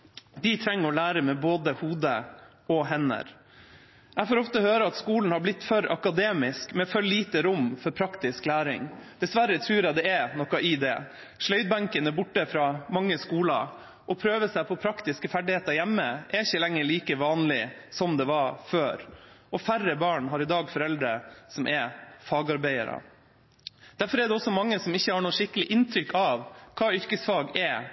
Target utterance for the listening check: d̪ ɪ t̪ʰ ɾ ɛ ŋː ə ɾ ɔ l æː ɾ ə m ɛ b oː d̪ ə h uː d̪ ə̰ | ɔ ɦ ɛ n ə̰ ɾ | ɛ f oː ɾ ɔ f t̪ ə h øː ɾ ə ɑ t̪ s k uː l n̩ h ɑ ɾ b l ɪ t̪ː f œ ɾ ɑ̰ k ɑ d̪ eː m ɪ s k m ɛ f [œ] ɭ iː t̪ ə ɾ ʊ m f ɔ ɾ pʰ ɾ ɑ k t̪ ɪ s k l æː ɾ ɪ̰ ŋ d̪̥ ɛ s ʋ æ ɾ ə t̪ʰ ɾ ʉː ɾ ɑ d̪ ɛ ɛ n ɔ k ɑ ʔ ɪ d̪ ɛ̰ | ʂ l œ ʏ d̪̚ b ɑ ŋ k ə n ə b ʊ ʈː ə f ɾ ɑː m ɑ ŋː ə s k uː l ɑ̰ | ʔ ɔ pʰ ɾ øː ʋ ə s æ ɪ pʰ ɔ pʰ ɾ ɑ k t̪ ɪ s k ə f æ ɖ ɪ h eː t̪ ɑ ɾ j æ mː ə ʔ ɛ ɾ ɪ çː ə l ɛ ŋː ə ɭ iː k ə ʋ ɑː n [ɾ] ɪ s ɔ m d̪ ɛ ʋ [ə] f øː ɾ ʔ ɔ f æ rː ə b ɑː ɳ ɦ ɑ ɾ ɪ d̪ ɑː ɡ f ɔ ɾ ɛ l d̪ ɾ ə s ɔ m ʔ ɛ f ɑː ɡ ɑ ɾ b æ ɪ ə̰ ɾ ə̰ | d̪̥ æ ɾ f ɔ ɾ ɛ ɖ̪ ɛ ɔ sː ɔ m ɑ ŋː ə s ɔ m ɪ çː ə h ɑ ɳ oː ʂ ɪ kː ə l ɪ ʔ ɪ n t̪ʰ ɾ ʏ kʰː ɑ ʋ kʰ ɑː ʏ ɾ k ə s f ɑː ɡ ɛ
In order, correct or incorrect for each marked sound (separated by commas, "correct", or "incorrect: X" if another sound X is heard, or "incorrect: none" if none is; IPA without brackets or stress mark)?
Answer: correct, incorrect: l, incorrect: ɑ